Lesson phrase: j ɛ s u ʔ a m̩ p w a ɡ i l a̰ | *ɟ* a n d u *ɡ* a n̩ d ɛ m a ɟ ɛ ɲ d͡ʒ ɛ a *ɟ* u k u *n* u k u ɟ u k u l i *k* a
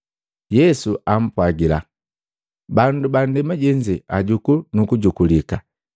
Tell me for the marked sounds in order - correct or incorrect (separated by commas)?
incorrect, incorrect, correct, correct, correct